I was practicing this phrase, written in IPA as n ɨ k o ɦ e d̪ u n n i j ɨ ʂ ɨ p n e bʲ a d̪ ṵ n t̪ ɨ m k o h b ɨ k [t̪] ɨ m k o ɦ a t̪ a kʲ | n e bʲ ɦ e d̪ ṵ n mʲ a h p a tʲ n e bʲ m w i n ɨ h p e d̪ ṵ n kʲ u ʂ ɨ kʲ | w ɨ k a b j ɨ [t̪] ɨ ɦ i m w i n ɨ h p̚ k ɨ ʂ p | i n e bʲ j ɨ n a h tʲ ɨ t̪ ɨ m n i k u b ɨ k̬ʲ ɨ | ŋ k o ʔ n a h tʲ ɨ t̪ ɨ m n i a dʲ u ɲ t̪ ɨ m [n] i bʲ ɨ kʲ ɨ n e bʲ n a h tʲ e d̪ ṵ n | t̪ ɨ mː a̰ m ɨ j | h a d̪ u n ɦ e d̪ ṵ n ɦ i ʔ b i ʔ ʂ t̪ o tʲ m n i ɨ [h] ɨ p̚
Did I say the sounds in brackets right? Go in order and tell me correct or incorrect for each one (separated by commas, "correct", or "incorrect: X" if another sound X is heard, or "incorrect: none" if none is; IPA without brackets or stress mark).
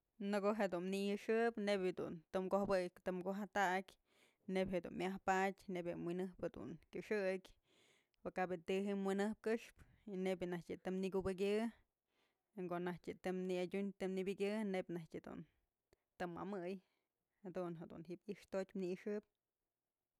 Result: correct, correct, correct, incorrect: ʂ